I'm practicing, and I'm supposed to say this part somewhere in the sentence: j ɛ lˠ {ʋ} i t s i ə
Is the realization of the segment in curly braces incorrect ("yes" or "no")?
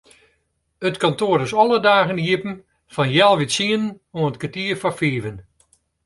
no